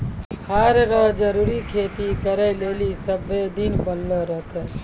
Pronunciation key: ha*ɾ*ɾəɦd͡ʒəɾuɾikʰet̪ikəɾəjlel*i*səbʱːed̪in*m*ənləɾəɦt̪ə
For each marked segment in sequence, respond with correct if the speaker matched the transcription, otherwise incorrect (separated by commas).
correct, correct, incorrect